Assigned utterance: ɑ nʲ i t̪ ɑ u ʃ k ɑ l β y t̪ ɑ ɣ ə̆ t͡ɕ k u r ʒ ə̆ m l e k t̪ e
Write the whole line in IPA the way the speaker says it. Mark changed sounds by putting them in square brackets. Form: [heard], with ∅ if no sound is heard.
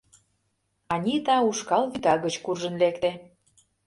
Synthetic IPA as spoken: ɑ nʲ i t̪ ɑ u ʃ k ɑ l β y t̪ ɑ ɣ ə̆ t͡ɕ k u r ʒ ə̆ [n] l e k t̪ e